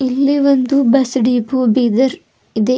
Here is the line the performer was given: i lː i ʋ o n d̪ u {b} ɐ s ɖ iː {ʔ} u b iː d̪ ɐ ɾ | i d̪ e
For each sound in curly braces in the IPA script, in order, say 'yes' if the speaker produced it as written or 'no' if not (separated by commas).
yes, no